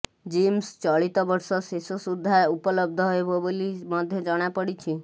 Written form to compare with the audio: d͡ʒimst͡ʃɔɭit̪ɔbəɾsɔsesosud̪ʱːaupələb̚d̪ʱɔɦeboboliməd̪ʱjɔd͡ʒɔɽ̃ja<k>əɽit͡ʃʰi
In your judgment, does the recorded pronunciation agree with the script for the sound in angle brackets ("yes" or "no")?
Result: no